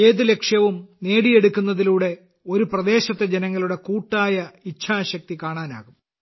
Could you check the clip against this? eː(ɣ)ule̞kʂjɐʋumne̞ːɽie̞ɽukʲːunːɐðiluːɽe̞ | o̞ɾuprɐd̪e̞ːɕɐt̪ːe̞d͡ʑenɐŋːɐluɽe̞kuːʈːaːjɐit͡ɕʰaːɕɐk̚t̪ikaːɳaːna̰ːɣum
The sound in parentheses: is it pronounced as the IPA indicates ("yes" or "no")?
no